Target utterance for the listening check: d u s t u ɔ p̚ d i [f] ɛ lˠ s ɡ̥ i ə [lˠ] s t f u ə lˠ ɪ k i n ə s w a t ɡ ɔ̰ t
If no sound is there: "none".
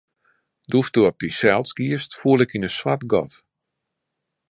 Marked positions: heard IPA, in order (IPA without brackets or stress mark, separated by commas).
s, none